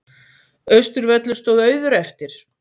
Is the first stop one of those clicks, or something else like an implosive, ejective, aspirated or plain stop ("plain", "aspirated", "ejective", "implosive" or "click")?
plain